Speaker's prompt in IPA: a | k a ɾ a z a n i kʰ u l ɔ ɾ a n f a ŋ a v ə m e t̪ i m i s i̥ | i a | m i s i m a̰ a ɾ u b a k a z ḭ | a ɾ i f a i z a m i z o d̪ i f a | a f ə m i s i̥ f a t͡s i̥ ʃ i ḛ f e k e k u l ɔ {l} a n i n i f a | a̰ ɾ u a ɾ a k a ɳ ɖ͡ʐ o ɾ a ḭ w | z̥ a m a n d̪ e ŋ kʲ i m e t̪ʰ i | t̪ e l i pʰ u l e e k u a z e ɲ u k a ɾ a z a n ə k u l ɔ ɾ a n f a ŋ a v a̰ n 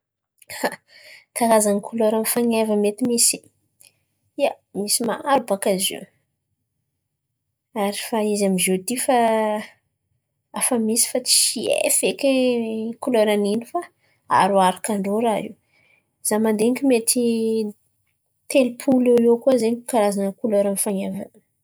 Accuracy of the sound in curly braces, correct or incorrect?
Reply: incorrect